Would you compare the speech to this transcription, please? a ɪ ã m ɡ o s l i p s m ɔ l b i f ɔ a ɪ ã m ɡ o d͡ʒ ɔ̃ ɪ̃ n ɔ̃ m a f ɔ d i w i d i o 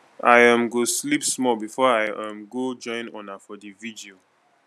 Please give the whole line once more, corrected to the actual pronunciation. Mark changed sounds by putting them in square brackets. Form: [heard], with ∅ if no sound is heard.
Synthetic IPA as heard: a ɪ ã m ɡ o s l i p s m ɔ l b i f ɔ a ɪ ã m ɡ o d͡ʒ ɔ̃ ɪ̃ n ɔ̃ [n] a f ɔ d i [v] i d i o